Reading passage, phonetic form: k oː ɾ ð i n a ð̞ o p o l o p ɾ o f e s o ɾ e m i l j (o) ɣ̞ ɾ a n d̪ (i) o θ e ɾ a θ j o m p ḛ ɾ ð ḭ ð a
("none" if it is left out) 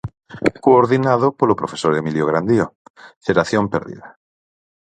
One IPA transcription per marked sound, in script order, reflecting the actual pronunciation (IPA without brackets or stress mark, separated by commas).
o, i